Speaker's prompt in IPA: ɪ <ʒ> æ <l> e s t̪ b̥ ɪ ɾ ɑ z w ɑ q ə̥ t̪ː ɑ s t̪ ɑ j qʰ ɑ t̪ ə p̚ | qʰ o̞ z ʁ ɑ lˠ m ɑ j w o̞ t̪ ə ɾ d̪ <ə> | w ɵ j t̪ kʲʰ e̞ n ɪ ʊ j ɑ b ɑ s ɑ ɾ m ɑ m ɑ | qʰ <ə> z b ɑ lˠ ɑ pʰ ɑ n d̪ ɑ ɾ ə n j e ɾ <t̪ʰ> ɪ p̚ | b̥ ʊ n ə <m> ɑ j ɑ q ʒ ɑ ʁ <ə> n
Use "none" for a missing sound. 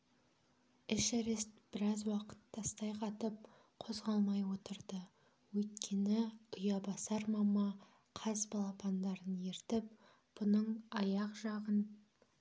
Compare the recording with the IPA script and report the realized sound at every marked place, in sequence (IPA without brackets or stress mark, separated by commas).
ʃ, ɾ, ə, ɑ, t̪, ɴ, ə